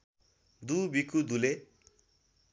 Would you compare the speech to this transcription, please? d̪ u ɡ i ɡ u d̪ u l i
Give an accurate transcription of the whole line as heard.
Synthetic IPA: d̪ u b i k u d̪ u l e